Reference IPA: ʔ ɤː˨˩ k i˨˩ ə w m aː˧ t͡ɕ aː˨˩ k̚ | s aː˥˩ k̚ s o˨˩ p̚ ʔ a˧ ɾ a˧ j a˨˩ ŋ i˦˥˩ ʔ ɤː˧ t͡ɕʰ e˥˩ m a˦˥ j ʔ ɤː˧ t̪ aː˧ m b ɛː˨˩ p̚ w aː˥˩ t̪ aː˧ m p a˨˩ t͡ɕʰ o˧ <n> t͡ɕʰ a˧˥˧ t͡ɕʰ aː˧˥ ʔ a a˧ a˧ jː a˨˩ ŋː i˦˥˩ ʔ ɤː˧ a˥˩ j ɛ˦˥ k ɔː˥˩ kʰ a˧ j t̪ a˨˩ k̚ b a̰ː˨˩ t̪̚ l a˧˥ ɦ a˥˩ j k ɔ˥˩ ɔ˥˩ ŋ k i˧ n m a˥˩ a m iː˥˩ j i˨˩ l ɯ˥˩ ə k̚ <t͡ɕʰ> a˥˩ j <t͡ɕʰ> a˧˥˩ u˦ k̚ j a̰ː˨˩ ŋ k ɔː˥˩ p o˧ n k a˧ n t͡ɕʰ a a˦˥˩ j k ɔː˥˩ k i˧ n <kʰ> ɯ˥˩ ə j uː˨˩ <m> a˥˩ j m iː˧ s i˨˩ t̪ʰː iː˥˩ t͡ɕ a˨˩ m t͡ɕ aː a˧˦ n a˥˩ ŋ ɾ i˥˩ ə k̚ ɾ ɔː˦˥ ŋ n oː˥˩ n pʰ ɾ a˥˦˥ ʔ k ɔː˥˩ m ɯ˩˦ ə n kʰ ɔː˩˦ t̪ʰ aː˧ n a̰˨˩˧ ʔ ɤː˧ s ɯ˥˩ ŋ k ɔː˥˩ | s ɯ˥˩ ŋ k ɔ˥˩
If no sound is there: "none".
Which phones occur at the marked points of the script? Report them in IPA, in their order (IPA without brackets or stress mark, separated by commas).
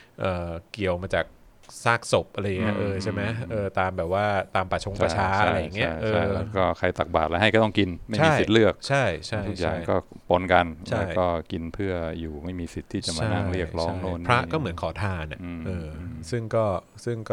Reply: ŋ, t͡ɕʰ, t͡ɕʰ, pʰ, m